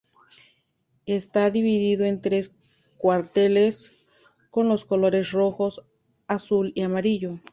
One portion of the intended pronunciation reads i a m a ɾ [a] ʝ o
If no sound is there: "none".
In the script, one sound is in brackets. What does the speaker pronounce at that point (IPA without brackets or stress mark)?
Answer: i